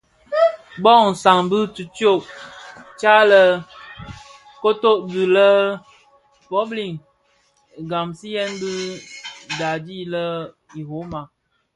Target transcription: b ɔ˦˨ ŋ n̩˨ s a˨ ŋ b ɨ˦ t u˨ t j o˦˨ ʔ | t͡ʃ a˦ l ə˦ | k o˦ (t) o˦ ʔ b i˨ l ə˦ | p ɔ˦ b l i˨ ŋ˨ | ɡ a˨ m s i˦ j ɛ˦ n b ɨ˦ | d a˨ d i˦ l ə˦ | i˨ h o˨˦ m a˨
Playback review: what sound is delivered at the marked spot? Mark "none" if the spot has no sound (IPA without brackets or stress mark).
t